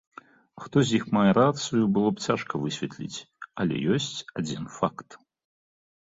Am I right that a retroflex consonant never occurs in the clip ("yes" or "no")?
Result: no